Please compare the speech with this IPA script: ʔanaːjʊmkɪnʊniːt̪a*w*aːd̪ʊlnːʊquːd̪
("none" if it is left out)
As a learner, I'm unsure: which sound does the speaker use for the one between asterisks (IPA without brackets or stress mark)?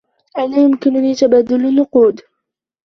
b